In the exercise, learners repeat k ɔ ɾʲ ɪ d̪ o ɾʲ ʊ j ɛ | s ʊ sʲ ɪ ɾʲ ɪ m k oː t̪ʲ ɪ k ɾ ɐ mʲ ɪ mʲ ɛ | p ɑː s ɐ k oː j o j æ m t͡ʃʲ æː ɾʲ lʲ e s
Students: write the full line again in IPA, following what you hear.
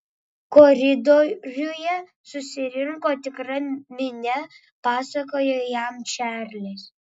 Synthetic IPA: k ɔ ɾʲ ɪ d̪ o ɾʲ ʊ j ɛ | s ʊ sʲ ɪ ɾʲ ɪ ŋ k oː t̪ʲ ɪ k ɾ ɐ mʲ ɪ nʲ ɛ | p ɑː s ɐ k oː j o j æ m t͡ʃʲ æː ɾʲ lʲ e s